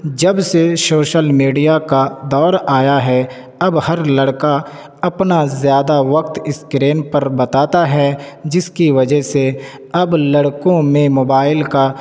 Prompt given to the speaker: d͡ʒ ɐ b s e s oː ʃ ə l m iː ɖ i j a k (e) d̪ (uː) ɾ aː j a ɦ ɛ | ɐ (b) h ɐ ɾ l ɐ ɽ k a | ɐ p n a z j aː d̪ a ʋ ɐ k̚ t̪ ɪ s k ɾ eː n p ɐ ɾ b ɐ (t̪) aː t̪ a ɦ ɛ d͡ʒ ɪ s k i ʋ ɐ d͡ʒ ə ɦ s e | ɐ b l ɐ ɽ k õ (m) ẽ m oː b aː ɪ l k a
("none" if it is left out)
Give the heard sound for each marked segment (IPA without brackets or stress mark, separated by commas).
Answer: a, ɔː, b, t̪, m